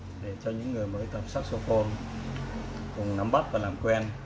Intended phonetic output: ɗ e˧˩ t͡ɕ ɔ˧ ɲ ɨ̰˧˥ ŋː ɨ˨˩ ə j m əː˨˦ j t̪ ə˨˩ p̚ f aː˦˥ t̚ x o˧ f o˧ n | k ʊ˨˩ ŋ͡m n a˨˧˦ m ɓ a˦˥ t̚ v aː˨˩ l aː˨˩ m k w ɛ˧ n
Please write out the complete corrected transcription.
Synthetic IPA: ɗ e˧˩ t͡ɕ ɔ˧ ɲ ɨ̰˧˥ ŋː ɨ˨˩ ə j m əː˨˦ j t̪ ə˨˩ p̚ s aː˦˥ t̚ s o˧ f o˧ n | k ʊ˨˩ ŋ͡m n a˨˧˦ m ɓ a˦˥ t̚ v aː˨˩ l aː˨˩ m k w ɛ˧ n